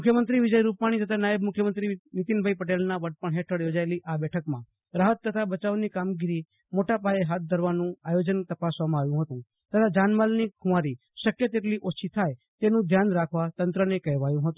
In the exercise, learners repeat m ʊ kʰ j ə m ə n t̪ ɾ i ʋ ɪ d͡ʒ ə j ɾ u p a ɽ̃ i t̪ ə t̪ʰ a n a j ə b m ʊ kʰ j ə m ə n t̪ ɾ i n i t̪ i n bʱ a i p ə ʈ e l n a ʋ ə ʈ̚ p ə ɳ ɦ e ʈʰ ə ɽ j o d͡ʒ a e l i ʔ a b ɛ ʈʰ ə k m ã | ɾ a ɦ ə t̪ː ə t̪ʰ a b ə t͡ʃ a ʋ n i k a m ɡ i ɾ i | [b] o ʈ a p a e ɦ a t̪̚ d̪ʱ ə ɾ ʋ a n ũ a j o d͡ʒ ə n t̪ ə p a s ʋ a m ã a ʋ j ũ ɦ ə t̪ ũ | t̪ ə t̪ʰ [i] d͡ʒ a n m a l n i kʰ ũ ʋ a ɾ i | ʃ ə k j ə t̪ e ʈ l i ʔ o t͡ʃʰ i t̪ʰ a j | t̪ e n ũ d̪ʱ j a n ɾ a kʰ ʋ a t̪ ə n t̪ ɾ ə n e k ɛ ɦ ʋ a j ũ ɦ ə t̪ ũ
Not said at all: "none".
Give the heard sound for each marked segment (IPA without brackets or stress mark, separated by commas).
m, a